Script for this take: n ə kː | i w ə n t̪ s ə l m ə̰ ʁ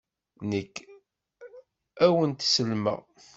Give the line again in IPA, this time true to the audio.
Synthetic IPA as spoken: n ə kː | æ w ə n t̪ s ə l m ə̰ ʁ